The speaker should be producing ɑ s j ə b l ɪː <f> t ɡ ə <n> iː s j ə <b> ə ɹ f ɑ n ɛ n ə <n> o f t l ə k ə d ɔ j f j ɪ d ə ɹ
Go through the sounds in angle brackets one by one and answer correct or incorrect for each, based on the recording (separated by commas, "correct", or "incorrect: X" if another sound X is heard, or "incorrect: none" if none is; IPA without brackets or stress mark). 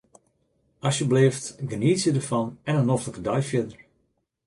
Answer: correct, correct, incorrect: d, correct